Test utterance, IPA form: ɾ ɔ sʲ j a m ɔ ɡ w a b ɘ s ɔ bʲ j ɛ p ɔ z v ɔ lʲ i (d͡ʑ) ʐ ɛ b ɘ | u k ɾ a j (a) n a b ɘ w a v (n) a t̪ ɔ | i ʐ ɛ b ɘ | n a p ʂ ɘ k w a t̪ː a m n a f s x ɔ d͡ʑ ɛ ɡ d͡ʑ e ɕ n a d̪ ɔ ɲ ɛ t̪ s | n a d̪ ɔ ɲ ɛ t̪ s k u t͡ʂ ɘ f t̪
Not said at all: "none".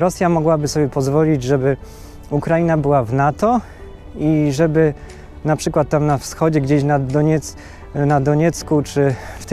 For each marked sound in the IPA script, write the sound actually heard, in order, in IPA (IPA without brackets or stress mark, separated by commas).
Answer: d͡ʑ, i, n